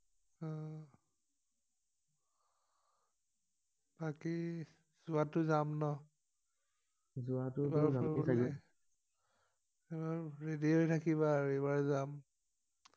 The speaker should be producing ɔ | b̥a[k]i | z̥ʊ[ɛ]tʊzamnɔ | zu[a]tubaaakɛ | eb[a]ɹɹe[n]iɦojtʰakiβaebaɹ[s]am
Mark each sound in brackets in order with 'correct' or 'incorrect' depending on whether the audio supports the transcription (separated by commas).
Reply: correct, incorrect, correct, correct, incorrect, incorrect